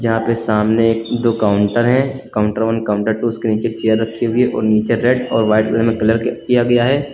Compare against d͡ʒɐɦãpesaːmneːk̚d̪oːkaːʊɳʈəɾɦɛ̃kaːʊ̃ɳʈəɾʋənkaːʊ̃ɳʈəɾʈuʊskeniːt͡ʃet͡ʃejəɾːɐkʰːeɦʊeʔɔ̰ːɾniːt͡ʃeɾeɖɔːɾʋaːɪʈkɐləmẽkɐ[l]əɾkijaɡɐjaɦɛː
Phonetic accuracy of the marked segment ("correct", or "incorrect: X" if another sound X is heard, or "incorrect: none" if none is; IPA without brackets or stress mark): correct